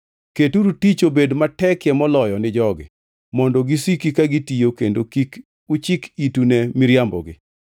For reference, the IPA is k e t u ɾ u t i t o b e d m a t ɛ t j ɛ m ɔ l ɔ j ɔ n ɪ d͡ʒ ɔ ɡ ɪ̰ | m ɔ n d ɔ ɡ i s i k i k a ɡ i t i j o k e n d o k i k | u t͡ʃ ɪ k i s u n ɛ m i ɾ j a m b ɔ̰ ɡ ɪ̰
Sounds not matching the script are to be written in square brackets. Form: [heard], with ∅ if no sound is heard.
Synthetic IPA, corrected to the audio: k e t u ɾ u t i [t͡ʃ] o b e d m a t ɛ [k] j ɛ m ɔ l ɔ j ɔ n ɪ d͡ʒ ɔ ɡ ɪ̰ | m ɔ n d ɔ ɡ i s i k i k a ɡ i t i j o k e n d o k i k | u t͡ʃ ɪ k i [t] u n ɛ m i ɾ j a m b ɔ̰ ɡ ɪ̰